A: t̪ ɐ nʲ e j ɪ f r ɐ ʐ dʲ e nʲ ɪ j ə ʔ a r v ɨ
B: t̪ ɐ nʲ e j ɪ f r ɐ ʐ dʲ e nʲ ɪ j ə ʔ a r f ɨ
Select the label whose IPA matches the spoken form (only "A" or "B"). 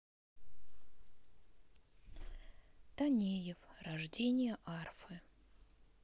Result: B